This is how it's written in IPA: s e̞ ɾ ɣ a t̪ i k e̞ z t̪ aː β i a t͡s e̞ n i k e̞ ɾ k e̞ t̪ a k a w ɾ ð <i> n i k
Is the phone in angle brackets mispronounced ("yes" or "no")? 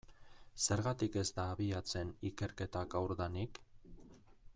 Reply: yes